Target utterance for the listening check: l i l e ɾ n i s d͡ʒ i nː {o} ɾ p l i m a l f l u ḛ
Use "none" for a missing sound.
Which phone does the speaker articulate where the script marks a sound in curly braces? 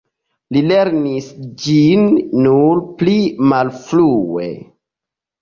u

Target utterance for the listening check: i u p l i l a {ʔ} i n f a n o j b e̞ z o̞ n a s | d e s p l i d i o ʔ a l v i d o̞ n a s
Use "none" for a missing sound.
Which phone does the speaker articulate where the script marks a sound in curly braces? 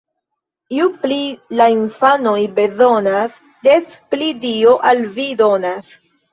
none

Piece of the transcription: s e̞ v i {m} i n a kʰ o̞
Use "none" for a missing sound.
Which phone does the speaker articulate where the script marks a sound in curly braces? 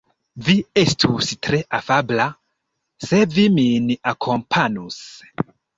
m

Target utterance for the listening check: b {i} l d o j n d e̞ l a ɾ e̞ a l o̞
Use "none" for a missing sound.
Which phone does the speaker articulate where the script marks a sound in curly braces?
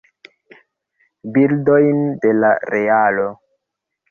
i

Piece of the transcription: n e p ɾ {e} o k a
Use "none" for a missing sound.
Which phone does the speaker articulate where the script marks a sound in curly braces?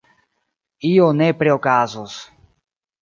e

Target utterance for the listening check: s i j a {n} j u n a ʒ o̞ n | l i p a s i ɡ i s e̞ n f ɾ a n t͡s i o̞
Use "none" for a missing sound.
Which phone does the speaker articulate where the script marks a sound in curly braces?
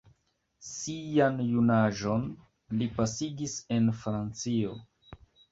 n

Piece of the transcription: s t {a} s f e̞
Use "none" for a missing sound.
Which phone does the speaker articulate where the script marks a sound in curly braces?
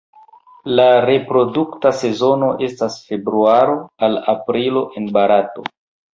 a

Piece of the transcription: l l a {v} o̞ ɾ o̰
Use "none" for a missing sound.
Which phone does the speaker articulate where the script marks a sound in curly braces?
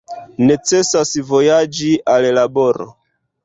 b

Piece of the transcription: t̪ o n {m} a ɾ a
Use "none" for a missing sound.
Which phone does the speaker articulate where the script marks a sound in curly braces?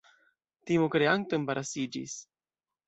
b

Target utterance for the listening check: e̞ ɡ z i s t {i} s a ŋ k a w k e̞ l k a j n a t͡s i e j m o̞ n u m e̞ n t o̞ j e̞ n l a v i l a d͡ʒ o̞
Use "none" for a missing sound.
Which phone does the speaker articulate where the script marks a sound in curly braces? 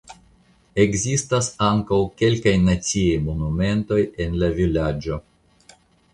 a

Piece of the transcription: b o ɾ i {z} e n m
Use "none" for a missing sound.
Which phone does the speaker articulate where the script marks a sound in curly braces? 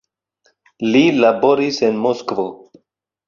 s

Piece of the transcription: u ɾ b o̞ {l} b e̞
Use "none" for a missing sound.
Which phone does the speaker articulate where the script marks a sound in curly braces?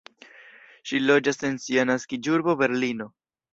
none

